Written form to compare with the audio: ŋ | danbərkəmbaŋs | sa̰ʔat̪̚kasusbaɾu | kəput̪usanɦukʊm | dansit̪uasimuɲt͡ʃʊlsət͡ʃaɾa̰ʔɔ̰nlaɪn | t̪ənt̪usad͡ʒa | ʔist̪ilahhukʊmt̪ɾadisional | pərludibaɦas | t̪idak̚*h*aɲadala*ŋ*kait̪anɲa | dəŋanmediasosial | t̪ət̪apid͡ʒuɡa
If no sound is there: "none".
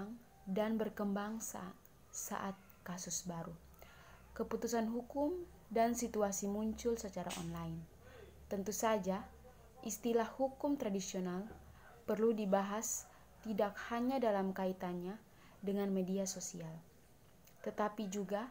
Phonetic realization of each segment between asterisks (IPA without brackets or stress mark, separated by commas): h, m